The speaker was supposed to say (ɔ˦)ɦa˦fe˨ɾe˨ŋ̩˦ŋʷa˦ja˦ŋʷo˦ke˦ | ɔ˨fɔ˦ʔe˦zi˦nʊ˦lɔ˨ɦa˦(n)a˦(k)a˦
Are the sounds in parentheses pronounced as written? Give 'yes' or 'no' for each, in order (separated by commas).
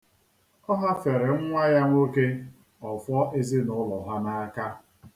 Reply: yes, yes, yes